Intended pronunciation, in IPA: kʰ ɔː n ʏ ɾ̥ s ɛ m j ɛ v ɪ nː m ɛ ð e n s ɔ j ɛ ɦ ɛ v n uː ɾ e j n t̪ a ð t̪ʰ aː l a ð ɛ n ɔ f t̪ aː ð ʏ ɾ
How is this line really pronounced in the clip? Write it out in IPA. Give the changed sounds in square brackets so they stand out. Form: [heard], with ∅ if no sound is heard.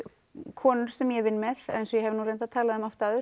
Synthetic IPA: kʰ ɔː n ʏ ɾ̥ s ɛ m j ɛ v ɪ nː m ɛ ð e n s ɔ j ɛ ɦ ɛ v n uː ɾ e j n t̪ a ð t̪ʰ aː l a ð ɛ [m] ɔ f t̪ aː ð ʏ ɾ